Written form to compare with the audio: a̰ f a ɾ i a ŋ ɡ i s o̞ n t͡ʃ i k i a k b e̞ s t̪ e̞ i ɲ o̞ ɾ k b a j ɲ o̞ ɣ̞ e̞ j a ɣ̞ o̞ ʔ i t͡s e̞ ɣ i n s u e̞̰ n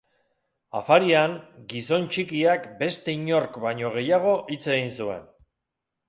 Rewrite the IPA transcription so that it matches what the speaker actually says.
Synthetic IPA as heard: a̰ f a ɾ i a ŋ ɡ i s o̞ n t͡ʃ i k i a k b e̞ s t̪ e̞ i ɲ o̞ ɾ k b a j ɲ o̞ ɣ̞ e̞ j a ɣ̞ o̞ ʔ i t͡s e̞ ɣ i n s u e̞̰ n